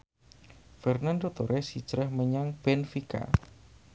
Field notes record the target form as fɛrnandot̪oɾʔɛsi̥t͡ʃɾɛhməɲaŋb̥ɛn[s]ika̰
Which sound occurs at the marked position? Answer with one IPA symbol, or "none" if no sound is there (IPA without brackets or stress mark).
f